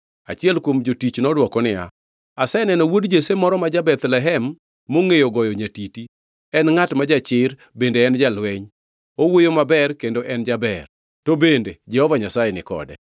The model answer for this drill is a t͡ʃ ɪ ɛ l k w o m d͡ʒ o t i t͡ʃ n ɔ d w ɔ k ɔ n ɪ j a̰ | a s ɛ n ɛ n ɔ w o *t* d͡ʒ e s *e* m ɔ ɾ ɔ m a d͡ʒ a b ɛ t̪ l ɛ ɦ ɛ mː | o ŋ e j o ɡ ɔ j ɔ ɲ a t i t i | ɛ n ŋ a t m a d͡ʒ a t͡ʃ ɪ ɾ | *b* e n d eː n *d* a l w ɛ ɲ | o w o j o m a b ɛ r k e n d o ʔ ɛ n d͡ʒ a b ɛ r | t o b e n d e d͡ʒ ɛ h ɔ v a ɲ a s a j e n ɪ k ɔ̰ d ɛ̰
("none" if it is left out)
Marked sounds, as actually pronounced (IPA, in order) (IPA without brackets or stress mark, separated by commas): d, e, b, d͡ʒ